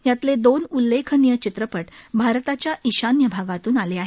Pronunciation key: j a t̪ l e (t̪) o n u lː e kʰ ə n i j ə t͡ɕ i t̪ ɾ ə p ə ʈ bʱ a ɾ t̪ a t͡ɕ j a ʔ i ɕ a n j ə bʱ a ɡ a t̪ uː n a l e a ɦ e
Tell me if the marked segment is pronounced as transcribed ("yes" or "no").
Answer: no